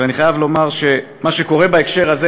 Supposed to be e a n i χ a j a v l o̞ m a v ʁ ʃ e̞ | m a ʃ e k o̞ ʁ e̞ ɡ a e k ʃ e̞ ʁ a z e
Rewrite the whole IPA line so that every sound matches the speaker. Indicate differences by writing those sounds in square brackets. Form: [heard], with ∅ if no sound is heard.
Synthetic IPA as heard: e a n i χ a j a v l o̞ m a [∅] ʁ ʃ e̞ | m a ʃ e k o̞ ʁ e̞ [b] a e k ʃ e̞ ʁ a z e